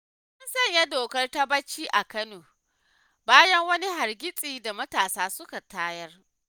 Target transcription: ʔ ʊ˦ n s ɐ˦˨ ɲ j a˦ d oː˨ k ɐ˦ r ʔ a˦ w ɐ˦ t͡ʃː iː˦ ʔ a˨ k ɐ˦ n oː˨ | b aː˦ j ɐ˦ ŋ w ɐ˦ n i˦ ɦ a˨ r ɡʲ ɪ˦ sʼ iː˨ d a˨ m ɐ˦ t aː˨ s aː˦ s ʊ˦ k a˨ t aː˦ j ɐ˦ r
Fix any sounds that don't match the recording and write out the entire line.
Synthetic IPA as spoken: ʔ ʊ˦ n s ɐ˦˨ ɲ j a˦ d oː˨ k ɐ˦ r t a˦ b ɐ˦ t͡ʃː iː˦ ʔ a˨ k ɐ˦ n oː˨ | b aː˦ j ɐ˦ ŋ w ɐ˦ n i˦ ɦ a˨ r ɡʲ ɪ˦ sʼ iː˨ d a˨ m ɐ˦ t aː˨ s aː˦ s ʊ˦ k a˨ t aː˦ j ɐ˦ r